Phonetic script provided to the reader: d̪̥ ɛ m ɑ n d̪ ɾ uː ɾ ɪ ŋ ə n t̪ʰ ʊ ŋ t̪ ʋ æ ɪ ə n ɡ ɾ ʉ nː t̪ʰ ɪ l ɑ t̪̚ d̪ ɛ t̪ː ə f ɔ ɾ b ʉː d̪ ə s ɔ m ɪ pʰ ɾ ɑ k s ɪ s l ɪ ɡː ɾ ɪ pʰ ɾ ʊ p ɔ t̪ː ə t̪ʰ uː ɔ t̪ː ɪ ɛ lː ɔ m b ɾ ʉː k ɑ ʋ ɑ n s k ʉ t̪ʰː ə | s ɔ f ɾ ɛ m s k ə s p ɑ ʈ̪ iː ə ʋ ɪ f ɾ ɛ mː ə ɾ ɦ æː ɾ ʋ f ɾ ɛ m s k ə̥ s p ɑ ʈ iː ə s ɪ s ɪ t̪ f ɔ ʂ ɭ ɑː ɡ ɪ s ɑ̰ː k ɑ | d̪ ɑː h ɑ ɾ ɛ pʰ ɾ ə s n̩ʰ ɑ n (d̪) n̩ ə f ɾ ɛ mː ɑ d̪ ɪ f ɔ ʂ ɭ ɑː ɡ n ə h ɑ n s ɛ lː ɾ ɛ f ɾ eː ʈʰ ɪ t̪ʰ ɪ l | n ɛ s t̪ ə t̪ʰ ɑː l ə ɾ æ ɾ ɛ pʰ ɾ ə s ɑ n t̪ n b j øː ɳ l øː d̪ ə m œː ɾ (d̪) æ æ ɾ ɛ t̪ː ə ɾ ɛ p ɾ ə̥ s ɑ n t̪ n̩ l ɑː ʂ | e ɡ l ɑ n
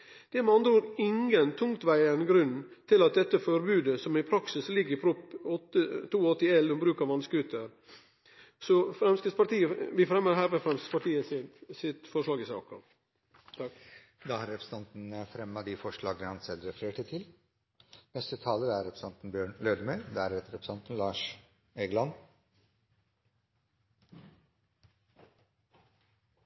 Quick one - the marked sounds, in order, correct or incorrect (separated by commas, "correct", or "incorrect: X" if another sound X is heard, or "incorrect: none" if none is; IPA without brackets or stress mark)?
incorrect: t̪, correct